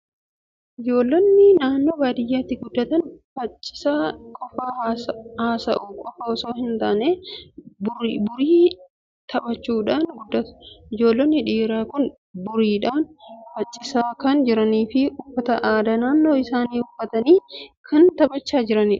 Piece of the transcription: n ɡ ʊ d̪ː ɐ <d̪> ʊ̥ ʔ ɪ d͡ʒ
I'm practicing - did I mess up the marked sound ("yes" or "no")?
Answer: yes